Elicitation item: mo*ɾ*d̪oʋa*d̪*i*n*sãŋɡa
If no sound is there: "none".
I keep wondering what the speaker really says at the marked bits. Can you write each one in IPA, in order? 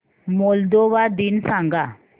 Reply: l, d̪, n

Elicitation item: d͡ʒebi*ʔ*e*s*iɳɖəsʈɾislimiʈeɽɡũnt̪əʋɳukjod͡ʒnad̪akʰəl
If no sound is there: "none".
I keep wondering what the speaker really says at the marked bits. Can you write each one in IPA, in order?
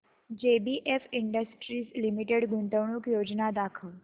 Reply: ʔ, f

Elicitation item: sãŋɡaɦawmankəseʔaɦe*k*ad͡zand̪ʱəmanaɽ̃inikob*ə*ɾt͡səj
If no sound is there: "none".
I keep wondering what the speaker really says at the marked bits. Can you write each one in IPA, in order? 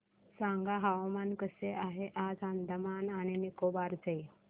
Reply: ʔ, a

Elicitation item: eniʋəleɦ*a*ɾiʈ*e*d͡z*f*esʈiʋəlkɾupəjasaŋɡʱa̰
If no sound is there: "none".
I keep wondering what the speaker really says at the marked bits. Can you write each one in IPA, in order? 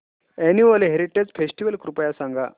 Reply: e, e, f

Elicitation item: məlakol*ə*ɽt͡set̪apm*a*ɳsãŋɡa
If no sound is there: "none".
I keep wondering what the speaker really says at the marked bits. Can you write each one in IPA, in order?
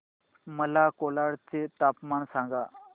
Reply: a, a

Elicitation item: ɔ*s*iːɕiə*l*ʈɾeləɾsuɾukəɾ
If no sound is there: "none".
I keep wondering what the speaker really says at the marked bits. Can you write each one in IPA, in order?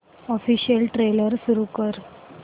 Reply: f, l

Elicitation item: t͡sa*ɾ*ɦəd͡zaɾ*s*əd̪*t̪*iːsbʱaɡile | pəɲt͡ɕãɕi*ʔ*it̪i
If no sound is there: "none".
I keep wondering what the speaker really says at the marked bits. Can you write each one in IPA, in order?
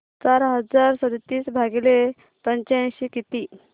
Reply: ɾ, s, t̪, k

